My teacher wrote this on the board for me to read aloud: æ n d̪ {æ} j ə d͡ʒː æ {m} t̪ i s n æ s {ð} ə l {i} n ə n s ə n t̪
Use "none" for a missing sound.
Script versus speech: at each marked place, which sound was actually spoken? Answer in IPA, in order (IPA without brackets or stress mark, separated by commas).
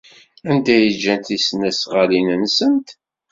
æ, n, ʁ, i